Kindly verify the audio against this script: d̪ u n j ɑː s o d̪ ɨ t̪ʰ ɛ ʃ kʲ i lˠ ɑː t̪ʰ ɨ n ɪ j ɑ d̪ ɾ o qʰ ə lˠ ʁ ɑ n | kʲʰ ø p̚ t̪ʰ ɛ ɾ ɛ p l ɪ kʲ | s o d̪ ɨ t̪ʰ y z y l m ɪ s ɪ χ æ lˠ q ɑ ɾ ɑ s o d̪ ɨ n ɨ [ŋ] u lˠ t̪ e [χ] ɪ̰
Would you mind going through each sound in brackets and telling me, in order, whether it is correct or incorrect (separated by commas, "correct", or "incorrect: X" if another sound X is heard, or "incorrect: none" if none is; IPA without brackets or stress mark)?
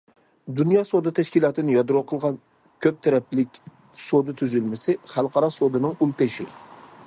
correct, incorrect: ʃ